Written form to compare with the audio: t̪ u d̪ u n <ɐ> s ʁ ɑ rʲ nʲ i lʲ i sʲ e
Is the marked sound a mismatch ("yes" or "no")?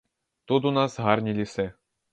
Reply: yes